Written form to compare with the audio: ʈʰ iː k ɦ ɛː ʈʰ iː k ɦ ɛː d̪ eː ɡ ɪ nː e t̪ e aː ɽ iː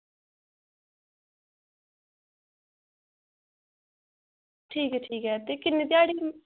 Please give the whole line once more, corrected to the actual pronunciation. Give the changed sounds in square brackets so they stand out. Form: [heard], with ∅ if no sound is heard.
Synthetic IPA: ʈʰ iː k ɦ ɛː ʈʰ iː k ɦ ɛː [t̪] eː [k] ɪ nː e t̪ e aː ɽ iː